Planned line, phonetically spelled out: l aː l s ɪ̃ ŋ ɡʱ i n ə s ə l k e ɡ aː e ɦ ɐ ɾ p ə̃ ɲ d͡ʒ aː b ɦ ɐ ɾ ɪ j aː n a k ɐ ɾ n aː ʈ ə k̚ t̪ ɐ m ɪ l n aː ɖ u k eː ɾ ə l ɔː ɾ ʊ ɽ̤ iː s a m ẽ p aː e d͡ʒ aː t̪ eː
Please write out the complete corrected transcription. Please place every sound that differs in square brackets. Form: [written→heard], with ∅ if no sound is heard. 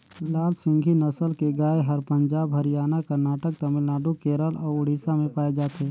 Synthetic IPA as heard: l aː l s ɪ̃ ŋ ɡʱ i n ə s ə l k e ɡ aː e ɦ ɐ ɾ p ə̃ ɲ d͡ʒ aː b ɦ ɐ ɾ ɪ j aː n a k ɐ ɾ n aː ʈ ə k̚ t̪ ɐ m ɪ l n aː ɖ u k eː ɾ ə l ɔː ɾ ʊ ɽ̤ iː s a m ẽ p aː e d͡ʒ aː t̪ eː